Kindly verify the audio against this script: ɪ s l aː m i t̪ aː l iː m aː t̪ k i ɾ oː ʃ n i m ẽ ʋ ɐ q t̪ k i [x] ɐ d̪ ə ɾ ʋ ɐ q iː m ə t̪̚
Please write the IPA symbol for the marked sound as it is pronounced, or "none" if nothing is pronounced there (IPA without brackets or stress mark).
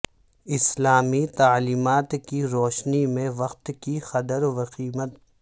x